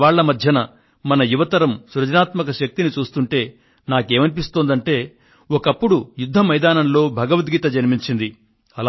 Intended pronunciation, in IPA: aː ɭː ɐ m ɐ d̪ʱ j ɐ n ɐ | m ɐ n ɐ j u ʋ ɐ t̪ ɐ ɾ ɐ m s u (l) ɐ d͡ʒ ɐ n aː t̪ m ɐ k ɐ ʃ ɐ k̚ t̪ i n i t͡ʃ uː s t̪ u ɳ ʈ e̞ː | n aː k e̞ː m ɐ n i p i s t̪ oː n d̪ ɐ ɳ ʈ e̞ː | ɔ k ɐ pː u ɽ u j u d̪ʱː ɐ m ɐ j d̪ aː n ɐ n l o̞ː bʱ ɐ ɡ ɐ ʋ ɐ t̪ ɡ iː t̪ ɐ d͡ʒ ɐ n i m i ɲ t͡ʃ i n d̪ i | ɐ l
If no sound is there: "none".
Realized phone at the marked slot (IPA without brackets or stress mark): ɾ